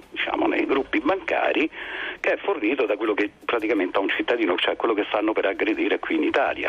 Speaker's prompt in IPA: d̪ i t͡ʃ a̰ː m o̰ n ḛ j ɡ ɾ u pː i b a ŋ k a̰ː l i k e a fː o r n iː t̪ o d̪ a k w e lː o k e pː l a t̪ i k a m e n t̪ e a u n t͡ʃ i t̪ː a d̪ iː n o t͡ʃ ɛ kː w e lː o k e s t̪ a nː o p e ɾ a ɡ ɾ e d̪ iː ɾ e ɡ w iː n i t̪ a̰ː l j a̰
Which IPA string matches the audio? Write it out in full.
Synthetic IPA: d̪ i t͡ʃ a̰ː m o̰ n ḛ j ɡ ɾ u pː i b a ŋ k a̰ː ɾ i k e ɛ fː o r n iː t̪ o d̪ a k w e lː o k e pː ɾ a t̪ i k a m e n t̪ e a u n t͡ʃ i t̪ː a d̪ iː n o t͡ʃ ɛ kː w e lː o k e s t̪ a nː o p e ɾ a ɡ ɾ e d̪ iː ɾ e k w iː n i t̪ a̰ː l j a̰